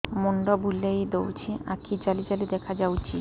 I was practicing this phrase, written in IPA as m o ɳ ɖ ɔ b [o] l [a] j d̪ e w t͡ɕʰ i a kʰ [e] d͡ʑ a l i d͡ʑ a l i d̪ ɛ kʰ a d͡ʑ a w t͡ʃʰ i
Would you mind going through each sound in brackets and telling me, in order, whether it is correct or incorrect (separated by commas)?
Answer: incorrect, incorrect, incorrect